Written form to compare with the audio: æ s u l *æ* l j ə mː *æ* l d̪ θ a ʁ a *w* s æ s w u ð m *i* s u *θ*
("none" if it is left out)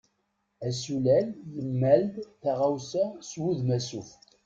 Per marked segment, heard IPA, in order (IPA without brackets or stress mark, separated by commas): æ, æ, w, æ, f